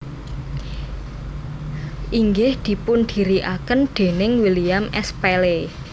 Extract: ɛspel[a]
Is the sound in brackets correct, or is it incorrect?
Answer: incorrect